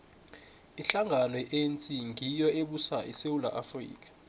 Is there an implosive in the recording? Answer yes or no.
yes